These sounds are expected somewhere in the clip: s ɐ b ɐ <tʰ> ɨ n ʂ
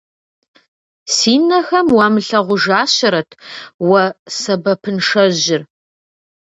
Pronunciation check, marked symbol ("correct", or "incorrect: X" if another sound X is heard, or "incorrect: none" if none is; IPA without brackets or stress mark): incorrect: pʰ